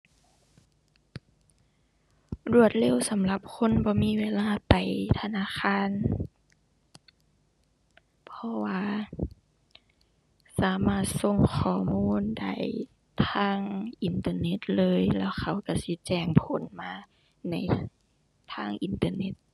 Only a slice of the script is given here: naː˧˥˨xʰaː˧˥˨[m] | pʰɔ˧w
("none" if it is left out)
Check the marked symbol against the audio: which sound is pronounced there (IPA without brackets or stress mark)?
n